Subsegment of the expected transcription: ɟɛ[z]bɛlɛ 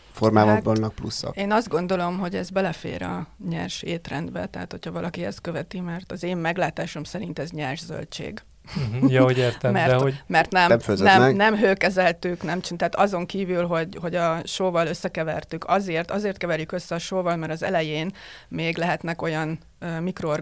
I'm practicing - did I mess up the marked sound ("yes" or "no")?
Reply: no